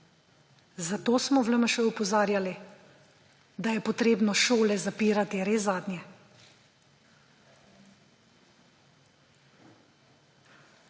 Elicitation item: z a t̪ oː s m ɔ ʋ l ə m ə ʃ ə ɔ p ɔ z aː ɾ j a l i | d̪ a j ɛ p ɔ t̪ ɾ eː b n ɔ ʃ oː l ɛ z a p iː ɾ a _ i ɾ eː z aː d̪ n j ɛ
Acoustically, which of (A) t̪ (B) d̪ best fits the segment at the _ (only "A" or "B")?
A